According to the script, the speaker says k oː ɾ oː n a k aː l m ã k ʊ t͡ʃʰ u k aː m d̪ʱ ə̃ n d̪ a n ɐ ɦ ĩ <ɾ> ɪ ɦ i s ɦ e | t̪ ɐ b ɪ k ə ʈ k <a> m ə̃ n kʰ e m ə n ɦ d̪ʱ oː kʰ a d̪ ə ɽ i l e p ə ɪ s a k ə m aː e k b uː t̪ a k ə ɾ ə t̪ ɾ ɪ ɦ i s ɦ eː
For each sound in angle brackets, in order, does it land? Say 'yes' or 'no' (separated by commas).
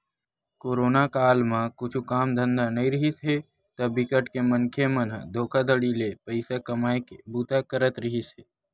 yes, no